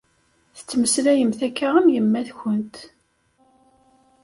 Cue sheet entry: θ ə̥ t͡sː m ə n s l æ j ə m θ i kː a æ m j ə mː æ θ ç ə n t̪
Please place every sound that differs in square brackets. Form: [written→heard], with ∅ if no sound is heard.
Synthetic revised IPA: θ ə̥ t͡sː m ə [n→∅] s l æ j ə m θ [i→æ] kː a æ m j ə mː æ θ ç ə n t̪